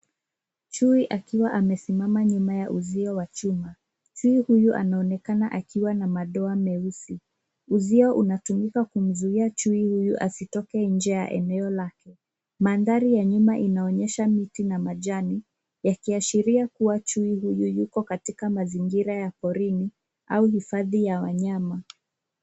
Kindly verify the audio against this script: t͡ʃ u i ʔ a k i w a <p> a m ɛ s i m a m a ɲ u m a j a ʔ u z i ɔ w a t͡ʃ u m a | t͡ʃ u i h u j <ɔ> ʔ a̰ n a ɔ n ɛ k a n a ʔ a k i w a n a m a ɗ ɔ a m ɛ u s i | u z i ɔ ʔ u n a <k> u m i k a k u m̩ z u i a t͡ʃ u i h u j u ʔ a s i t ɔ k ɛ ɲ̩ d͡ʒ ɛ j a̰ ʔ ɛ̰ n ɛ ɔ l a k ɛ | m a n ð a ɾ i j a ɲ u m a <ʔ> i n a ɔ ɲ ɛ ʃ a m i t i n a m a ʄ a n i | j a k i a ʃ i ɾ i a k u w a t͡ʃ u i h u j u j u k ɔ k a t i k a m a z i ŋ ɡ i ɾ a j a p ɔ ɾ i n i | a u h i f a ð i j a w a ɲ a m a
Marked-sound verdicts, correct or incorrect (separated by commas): incorrect, incorrect, incorrect, correct